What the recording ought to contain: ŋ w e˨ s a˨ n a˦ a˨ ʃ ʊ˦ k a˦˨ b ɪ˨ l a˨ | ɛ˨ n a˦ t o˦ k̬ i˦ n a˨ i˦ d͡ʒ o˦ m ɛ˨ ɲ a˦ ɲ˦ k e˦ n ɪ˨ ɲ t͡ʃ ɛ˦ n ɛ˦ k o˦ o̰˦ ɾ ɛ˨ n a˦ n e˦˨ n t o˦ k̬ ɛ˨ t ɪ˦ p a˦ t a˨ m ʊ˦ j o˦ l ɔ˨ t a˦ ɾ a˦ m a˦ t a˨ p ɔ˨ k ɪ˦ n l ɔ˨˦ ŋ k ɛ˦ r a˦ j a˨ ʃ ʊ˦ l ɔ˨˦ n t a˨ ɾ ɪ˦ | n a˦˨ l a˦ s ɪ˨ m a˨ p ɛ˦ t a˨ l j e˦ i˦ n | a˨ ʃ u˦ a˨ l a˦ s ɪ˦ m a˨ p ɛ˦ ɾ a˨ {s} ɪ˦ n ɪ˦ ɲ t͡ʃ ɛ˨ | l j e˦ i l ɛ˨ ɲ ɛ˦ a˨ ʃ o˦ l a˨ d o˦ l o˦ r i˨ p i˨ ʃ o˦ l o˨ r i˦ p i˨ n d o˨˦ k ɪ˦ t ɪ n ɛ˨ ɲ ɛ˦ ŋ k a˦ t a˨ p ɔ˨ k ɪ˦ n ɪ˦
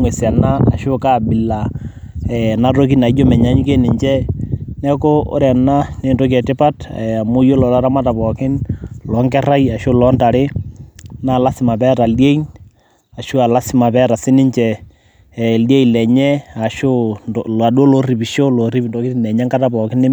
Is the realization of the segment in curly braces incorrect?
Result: no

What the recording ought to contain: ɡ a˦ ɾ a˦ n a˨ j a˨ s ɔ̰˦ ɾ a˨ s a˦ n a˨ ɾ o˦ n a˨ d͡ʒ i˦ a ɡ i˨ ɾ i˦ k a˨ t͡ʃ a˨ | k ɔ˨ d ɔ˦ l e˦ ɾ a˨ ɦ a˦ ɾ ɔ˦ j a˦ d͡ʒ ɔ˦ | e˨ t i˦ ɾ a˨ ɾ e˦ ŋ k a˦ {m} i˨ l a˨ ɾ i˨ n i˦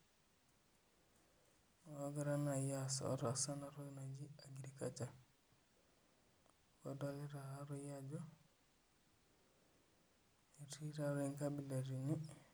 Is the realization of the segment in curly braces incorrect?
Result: yes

